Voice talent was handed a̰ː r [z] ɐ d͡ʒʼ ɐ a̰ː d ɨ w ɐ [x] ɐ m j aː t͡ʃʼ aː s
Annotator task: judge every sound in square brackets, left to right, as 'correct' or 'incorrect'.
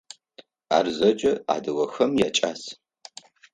correct, correct

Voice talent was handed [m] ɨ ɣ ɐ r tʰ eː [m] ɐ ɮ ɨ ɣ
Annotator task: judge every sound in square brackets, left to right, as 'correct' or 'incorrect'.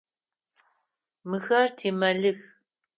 correct, correct

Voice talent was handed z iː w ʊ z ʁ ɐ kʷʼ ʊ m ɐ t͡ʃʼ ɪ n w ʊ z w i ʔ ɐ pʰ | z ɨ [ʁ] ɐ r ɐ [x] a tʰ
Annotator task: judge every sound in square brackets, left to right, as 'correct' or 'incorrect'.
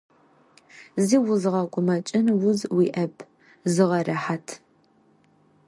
correct, incorrect

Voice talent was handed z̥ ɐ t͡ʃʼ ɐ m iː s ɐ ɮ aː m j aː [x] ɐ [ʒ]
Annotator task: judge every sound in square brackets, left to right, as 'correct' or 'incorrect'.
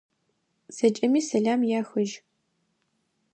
correct, correct

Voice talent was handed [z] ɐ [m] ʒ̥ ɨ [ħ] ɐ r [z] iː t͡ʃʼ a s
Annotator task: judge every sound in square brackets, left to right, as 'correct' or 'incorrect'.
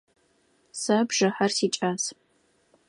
incorrect, incorrect, correct, incorrect

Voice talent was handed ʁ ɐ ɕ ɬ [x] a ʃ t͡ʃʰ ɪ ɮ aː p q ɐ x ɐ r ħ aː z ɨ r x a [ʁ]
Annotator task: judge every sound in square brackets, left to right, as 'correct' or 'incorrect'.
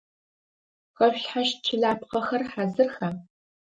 incorrect, incorrect

